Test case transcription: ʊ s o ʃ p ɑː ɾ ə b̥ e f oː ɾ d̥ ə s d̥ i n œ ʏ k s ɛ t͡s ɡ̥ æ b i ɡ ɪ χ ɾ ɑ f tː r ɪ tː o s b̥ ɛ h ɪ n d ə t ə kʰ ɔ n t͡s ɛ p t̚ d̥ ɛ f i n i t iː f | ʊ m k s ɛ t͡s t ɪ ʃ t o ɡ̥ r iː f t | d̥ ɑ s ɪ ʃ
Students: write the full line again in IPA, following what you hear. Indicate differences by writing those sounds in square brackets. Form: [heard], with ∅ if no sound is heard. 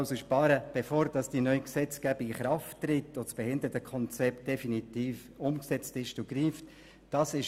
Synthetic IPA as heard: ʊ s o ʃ p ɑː ɾ ə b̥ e f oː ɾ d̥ [ɑ] s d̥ i n œ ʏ k s ɛ t͡s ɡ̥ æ b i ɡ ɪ χ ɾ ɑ f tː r ɪ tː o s b̥ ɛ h ɪ n d ə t ə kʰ ɔ n t͡s ɛ p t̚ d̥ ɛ f i n i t iː f | ʊ m k s ɛ t͡s t ɪ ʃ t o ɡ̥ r iː f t | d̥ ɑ s ɪ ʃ